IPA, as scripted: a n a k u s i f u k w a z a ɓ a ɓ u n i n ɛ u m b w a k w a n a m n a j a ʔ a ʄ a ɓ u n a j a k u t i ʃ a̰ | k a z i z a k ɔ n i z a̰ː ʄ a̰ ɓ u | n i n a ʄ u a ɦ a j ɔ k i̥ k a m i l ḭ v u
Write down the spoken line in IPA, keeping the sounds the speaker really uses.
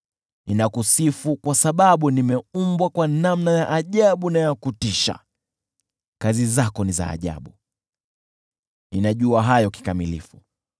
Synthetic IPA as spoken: i n a k u s i f u k w a s a ɓ a ɓ u n i m ɛ u m b w a k w a n a m n a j a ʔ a ʄ a ɓ u n a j a k u t i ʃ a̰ | k a z i z a k ɔ n i z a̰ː ʄ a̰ ɓ u | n i n a ʄ u a ɦ a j ɔ k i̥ k a m i l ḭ f u

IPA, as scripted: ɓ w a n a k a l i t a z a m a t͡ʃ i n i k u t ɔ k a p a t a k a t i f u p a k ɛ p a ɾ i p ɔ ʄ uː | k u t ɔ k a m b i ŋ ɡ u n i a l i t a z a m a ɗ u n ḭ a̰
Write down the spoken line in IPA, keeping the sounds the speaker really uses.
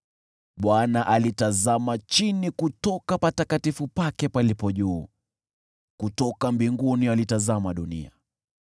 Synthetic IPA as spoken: ɓ w a n a ʔ a l i t a z a m a t͡ʃ i n i k u t ɔ k a p a t a k a t i f u p a k ɛ p a l i p ɔ ʄ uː | k u t ɔ k a m b i ŋ ɡ u n i a l i t a z a m a ɗ u n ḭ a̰

